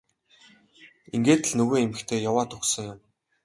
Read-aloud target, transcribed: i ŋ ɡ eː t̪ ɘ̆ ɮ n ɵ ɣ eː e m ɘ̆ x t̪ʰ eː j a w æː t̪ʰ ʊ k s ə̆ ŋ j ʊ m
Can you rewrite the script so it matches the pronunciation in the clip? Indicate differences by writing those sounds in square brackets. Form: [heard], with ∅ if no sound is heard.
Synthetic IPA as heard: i ŋ ɡ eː t̪ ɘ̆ ɮ n ɵ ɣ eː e m ɘ̆ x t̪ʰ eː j a w [aː] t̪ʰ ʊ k s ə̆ ŋ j ʊ m

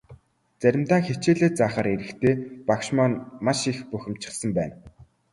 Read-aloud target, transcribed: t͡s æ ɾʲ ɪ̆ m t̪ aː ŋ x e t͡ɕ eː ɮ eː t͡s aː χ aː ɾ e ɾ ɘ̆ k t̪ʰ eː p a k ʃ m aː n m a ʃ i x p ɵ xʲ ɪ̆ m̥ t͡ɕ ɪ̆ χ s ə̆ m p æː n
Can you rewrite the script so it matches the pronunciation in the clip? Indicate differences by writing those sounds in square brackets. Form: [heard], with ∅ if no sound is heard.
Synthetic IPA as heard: t͡s æ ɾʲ ɪ̆ m t̪ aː ŋ x e t͡ɕ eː ɮ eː t͡s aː χ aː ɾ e ɾ ɘ̆ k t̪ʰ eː p a k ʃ m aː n m a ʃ i x p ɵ xʲ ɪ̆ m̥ t͡ɕ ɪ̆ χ s ə̆ m p æː n

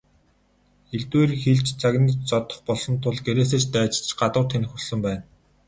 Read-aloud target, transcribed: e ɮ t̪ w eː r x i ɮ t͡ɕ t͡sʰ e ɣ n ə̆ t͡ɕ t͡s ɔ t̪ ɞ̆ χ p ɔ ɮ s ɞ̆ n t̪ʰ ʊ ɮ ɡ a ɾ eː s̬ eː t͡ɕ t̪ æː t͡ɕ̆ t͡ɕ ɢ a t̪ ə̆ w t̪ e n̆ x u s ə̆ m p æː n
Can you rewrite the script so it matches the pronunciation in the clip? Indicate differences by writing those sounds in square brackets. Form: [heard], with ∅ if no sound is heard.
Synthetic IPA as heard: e ɮ t̪ w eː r x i ɮ t͡ɕ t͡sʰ [a] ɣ n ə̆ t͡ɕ t͡s ɔ t̪ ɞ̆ χ p ɔ ɮ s ɞ̆ n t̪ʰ ʊ ɮ ɡ [e] ɾ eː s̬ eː t͡ɕ t̪ æː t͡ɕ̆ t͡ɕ ɢ a t̪ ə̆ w [t̪ʰ] e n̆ x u s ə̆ m p æː n

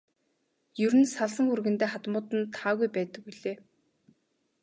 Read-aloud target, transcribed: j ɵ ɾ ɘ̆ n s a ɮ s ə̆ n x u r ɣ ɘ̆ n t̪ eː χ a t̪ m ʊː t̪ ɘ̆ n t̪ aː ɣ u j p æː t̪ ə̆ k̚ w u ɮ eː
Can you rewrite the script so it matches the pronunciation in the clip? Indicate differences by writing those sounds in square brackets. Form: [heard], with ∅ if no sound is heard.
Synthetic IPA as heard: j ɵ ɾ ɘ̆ n s a ɮ s ə̆ [ŋ] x u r ɣ ɘ̆ n t̪ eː χ a t̪ m ʊː t̪ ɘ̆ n [t̪ʰ] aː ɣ u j p æː t̪ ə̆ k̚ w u ɮ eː

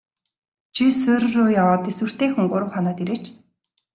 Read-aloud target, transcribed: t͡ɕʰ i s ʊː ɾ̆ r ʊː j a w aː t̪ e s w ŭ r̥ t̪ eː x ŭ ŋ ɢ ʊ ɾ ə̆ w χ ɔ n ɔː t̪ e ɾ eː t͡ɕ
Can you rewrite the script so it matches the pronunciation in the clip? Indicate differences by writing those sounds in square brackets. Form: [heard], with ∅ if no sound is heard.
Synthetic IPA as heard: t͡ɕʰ i s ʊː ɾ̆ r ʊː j a w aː t̪ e s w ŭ r̥ t̪ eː x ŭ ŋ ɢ ʊ ɾ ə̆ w χ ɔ n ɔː t̪ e ɾ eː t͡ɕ

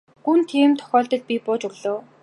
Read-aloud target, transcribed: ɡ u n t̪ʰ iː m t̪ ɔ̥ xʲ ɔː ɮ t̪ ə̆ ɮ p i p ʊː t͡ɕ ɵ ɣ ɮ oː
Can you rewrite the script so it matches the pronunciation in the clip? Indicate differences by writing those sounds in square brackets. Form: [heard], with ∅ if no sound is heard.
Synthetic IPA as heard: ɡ u n t̪ʰ iː m [t̪ʰ] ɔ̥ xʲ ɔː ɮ t̪ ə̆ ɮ p i p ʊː t͡ɕ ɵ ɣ ɮ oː

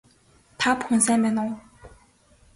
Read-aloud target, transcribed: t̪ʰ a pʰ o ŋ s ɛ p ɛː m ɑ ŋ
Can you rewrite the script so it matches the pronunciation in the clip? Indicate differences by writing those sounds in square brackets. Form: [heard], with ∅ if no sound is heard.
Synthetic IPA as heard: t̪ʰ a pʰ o ŋ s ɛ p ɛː [n] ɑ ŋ

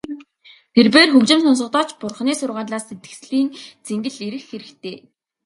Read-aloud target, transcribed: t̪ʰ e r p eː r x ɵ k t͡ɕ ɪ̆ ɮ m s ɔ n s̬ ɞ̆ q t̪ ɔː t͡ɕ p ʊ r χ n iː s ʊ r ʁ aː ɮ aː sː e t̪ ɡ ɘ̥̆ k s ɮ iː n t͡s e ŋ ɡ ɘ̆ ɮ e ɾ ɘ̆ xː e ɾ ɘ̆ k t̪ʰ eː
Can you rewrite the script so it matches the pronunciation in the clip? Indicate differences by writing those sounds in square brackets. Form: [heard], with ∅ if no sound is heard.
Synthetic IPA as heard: t̪ʰ e r p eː r x ɵ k t͡ɕ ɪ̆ [∅] m s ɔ n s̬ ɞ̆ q t̪ ɔː t͡ɕ p ʊ r χ n iː s ʊ r ʁ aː ɮ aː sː e t̪ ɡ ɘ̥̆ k s ɮ iː n t͡s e ŋ ɡ ɘ̆ ɮ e ɾ ɘ̆ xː e ɾ ɘ̆ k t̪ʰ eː

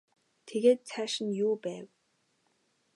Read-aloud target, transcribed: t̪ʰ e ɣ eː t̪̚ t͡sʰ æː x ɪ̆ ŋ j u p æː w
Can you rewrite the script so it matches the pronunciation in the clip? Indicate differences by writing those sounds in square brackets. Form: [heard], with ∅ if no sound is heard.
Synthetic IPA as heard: t̪ʰ e ɣ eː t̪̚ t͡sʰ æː [ʃ] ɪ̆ [n] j [uː] p æː w

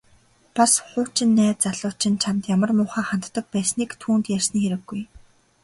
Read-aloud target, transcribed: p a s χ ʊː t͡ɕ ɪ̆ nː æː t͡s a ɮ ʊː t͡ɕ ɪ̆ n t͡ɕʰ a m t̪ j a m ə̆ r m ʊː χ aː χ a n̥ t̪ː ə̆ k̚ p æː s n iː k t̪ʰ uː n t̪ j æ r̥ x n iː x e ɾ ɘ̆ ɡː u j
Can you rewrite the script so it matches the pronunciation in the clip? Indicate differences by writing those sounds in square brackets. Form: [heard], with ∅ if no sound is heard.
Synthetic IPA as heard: p a s χ ʊː t͡ɕ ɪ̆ nː æː t͡s a ɮ ʊː t͡ɕ ɪ̆ n t͡ɕʰ a m t̪ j a m ə̆ r m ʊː χ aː χ a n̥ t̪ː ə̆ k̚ p æː s n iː k t̪ʰ uː n t̪ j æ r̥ [s] n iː x e ɾ ɘ̆ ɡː u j

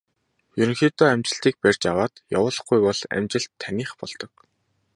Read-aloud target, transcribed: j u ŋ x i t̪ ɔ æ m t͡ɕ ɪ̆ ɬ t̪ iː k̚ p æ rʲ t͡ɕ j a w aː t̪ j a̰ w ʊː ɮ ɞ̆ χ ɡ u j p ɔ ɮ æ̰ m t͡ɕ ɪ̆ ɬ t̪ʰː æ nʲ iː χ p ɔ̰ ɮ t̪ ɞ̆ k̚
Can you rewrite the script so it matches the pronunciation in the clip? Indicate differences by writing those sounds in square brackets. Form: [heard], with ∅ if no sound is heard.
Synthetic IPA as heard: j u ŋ x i t̪ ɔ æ m t͡ɕ ɪ̆ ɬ t̪ iː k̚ p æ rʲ t͡ɕ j a w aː t̪ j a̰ w ʊː ɮ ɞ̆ χ ɡ u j p ɔ ɮ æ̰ m t͡ɕ ɪ̆ ɬ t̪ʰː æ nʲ iː χ p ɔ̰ ɮ t̪ ɞ̆ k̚

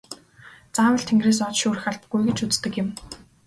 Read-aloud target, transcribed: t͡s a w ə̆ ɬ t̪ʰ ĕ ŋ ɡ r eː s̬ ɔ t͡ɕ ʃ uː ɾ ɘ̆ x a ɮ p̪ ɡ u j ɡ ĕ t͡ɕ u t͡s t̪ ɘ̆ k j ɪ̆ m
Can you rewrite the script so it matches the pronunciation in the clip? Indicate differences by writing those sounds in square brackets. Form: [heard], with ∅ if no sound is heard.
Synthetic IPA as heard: t͡s a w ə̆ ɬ t̪ʰ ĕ ŋ ɡ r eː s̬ ɔ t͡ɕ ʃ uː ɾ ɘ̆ x a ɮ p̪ ɡ u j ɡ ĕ t͡ɕ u t͡s t̪ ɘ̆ k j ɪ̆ m

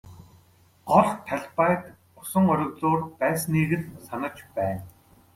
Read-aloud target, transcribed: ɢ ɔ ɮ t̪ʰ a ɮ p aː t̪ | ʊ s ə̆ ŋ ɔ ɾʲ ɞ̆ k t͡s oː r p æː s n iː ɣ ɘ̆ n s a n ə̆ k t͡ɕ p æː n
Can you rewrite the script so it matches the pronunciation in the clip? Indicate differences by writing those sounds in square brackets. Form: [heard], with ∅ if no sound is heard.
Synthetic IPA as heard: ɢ ɔ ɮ t̪ʰ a ɮ p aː t̪ | ʊ s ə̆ ŋ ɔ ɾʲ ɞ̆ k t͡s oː r p æː s n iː ɣ ɘ̆ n s a n ə̆ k t͡ɕ p æː n

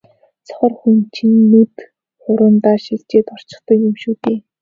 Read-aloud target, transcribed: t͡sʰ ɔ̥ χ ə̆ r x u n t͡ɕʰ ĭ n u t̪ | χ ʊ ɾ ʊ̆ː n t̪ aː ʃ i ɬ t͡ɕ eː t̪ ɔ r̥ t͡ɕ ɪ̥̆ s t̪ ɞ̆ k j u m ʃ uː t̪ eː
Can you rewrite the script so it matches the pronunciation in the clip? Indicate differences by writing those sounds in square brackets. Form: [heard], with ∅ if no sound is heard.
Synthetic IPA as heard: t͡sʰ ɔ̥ χ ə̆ r x u n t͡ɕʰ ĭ [nː] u t̪ | χ ʊ ɾ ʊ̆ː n t̪ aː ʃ i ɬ t͡ɕ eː t̪ ɔ r̥ t͡ɕ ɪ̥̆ [χ] t̪ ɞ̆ k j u m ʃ uː t̪ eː

